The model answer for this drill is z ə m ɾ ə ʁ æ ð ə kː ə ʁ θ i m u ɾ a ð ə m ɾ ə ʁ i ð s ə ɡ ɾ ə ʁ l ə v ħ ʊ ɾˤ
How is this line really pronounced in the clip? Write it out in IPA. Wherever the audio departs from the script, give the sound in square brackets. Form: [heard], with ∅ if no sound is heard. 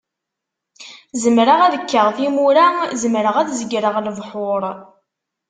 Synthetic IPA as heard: z ə m ɾ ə ʁ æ ð ə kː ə ʁ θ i m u ɾ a [z] ə m ɾ ə ʁ [æ] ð [z] ə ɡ ɾ ə ʁ l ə v ħ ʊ ɾˤ